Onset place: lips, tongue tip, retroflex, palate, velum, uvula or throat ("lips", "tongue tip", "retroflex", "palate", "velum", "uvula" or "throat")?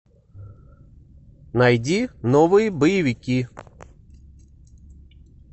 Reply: tongue tip